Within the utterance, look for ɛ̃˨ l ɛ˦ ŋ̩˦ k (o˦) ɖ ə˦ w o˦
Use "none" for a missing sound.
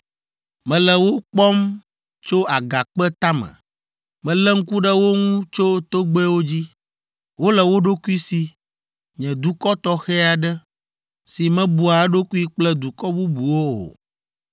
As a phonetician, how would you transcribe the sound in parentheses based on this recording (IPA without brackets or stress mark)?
u˦